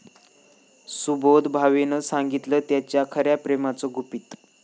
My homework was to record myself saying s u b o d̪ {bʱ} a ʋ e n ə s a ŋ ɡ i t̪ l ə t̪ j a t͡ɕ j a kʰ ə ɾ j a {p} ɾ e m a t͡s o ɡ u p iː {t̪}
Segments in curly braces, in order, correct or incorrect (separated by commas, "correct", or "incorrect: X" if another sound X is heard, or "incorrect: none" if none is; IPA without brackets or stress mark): correct, correct, correct